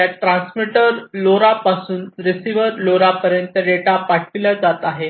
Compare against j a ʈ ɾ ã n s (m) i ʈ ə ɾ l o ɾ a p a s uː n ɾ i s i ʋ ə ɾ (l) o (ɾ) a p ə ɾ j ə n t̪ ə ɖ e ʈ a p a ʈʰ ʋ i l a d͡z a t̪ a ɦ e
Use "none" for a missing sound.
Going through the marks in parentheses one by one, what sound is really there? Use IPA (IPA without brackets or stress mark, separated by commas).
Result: m, l, ɾ